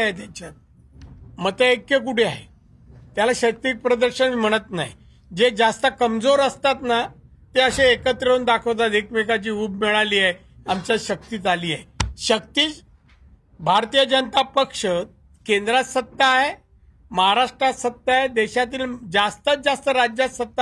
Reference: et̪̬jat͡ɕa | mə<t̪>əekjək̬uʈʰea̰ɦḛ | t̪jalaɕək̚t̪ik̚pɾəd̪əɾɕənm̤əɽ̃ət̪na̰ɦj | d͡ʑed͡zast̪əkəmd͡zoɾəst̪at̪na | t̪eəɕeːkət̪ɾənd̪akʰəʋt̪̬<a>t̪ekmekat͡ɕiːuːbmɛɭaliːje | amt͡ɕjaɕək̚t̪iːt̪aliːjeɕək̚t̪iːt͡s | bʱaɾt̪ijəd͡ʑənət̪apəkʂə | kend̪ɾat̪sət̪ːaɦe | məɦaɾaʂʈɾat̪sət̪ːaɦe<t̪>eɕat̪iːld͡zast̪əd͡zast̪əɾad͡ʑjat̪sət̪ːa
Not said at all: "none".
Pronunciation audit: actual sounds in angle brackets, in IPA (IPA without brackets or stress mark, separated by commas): t̪, a, d̪